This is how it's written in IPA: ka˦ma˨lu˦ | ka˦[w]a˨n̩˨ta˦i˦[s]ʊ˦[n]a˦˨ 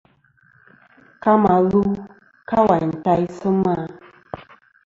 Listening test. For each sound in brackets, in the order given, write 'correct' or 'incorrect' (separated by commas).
correct, correct, incorrect